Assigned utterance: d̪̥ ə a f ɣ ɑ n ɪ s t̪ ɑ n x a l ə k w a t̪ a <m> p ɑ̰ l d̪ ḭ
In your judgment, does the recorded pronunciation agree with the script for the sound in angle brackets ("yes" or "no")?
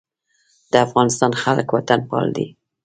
no